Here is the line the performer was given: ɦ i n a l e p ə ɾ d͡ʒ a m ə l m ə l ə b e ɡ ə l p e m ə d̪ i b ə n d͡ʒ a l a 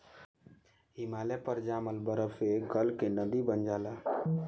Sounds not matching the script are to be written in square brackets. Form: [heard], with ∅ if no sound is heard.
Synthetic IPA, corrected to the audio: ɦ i [m] a l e p ə ɾ d͡ʒ a m ə l [b] ə [ɾ] ə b e ɡ ə l [k] e [n] ə d̪ i b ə n d͡ʒ a l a